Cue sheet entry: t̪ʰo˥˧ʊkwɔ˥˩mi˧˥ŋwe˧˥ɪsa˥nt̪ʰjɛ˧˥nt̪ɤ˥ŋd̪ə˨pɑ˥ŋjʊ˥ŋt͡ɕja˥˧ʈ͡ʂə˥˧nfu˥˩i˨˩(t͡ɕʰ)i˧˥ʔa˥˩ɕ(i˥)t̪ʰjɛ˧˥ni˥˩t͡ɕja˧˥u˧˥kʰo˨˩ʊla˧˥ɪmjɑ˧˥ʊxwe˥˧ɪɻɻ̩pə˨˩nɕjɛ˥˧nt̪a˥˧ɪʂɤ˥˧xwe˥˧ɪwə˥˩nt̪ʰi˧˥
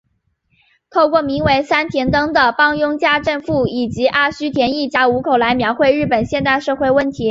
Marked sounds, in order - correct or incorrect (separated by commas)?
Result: incorrect, incorrect